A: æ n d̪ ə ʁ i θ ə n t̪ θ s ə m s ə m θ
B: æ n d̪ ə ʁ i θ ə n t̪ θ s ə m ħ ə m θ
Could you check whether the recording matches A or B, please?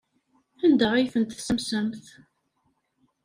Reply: A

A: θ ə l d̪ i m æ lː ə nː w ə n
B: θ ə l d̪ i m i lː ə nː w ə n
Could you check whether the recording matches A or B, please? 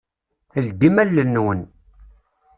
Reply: A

